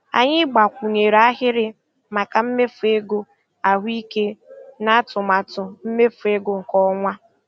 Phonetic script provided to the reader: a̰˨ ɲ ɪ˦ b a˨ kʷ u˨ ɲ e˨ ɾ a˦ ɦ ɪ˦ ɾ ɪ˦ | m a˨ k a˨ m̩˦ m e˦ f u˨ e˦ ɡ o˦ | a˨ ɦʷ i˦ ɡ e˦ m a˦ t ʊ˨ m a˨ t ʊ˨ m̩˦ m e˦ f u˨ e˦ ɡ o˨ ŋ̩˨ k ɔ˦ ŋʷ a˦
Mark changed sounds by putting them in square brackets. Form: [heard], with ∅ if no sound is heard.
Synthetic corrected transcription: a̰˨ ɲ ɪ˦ [ɡ͡b] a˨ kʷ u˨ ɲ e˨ ɾ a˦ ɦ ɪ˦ ɾ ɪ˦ | m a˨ k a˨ m̩˦ m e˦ f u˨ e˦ ɡ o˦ | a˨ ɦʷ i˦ [k] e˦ [n] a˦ t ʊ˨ m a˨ t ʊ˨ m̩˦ m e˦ f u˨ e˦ ɡ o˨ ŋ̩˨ k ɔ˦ ŋʷ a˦